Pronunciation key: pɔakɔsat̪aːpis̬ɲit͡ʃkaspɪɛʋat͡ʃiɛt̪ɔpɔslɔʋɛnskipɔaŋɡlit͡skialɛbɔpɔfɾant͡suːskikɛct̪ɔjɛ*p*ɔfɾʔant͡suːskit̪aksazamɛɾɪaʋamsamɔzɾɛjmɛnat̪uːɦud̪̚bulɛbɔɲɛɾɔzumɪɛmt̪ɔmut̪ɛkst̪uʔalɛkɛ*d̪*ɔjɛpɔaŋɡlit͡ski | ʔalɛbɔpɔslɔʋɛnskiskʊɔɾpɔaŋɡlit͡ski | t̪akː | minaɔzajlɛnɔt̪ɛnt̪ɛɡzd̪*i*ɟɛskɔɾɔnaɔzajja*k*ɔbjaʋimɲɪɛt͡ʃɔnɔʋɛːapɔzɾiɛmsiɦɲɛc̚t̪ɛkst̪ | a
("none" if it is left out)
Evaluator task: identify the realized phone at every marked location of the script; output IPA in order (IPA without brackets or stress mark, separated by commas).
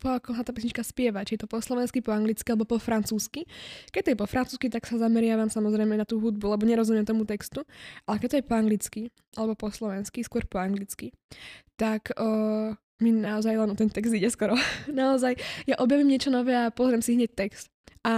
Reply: p, t̪, i, ʔ